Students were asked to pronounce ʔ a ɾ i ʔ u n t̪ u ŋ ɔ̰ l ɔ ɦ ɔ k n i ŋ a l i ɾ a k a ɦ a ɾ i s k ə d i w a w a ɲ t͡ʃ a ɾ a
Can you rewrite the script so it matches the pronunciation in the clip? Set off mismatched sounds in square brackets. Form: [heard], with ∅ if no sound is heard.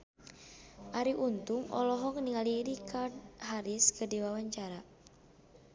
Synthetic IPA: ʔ a ɾ i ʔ u n t̪ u ŋ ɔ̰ l ɔ ɦ ɔ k n i ŋ a l i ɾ [i] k a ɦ a ɾ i s k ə d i w a w a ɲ t͡ʃ a ɾ a